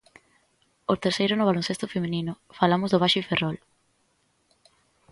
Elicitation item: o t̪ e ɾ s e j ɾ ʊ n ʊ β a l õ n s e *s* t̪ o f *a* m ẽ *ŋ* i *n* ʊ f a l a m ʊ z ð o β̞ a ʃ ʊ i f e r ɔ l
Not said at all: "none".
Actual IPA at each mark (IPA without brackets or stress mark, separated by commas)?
s, e, n, n